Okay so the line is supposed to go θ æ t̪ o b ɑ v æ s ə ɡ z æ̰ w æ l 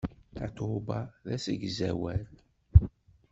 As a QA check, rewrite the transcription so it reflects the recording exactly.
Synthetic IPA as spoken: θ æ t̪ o b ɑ ð æ s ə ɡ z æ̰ w æ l